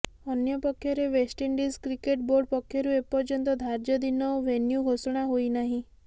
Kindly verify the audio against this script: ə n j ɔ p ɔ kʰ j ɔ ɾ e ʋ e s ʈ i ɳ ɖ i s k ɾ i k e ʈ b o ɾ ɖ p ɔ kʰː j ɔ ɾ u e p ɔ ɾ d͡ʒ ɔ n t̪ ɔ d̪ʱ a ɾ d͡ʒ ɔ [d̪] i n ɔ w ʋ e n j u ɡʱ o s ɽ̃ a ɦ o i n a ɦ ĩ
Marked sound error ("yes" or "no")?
no